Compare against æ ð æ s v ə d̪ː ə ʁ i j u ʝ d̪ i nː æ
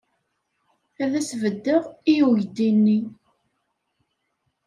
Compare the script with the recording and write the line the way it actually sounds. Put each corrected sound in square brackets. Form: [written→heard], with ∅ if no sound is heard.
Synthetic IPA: æ ð æ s v ə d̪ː ə ʁ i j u ʝ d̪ i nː [æ→i]